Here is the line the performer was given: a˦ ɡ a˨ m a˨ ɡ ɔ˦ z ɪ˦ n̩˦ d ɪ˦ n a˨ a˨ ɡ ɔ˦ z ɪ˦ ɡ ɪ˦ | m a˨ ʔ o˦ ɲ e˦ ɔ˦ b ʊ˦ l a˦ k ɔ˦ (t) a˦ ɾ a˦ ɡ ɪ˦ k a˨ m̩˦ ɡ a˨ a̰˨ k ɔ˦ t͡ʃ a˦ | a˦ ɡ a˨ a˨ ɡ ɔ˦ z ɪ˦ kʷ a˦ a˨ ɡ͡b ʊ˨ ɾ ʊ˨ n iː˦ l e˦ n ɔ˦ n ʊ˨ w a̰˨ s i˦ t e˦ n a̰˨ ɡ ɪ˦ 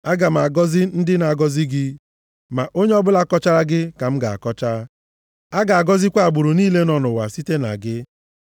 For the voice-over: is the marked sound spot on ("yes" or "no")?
no